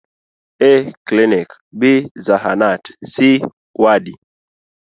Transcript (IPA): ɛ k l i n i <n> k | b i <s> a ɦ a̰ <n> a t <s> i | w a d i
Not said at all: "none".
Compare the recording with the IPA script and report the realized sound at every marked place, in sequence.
none, z, n, s

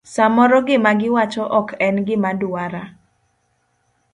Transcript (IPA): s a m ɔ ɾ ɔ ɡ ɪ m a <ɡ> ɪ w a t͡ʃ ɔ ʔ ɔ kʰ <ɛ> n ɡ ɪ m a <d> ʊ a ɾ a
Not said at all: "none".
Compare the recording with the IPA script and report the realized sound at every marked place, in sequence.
ɡ, ɛ, d

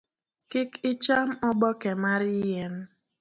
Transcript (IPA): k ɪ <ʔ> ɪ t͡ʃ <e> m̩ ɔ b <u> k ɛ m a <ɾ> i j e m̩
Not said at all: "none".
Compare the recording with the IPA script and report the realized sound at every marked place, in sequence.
k, a, ɔ, ɾ

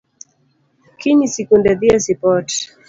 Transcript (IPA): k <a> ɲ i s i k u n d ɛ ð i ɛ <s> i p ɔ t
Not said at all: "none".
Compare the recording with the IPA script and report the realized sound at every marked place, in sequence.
i, s

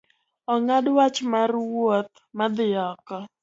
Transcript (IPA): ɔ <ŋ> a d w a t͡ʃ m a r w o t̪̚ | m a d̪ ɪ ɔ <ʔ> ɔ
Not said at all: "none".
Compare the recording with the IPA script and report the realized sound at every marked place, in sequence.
ŋ, k

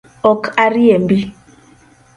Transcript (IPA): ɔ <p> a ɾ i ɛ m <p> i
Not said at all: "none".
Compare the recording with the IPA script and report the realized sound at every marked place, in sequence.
k, b

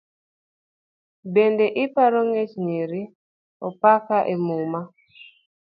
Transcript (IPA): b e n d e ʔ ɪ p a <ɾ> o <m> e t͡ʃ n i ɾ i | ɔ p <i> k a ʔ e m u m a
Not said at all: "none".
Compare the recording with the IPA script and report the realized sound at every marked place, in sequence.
ɾ, ŋ, a

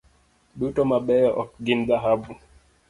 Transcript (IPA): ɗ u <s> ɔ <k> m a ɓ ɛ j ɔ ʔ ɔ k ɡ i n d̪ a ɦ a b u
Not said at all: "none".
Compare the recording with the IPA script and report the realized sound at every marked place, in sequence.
t, none

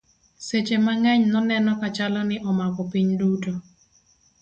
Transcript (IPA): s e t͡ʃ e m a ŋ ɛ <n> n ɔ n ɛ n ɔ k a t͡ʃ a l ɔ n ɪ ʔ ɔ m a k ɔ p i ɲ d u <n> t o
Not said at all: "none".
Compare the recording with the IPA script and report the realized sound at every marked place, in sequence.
ɲ, none

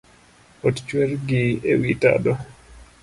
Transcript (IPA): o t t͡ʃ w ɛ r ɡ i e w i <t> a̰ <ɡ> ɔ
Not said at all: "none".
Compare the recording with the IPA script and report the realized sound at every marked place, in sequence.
t, d

